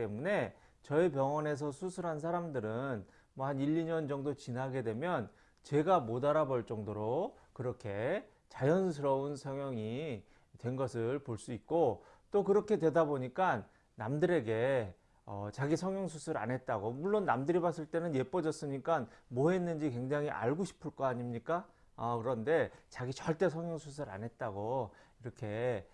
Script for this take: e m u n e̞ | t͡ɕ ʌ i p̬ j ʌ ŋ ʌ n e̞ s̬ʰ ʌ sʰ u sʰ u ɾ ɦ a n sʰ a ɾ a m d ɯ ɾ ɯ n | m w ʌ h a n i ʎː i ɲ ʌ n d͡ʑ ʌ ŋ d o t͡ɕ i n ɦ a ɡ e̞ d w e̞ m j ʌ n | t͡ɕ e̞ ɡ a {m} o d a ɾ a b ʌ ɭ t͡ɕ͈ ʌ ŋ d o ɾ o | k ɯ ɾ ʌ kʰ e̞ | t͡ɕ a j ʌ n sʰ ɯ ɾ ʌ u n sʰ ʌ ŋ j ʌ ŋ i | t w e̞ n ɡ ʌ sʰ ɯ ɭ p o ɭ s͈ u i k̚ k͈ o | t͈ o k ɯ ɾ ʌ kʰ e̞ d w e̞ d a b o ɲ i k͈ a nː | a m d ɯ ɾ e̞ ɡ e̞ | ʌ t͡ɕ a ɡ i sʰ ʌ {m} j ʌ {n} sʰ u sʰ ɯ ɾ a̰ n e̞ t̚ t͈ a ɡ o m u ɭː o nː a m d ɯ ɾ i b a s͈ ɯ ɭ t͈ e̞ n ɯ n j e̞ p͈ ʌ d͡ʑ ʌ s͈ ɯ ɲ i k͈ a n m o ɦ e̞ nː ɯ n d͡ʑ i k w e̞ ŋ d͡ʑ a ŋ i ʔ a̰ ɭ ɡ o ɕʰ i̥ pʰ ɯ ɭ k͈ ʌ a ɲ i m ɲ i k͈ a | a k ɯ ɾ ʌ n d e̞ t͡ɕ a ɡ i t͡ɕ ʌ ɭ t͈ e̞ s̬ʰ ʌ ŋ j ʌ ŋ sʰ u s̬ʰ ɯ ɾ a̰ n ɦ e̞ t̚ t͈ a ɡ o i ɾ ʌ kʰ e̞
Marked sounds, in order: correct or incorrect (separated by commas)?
correct, incorrect, incorrect